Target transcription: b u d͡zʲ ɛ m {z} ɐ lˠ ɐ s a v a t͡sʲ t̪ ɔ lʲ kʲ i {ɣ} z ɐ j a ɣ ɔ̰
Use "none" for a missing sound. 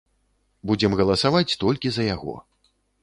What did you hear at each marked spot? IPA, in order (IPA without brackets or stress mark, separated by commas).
ɣ, none